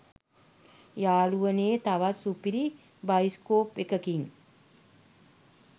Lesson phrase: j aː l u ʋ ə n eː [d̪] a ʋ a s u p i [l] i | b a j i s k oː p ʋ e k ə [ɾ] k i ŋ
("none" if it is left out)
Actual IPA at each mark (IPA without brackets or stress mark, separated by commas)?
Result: t̪, ɾ, none